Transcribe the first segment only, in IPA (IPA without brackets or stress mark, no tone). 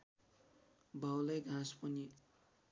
b